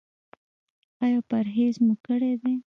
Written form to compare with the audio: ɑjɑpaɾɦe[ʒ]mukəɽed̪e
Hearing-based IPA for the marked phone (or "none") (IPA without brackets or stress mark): z